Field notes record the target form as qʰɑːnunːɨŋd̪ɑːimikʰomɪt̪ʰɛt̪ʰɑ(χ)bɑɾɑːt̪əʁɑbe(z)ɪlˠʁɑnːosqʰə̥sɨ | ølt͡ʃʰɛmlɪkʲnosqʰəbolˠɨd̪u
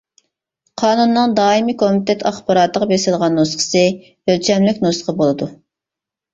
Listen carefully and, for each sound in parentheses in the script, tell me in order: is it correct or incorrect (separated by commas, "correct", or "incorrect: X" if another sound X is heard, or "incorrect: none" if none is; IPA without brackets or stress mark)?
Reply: correct, incorrect: s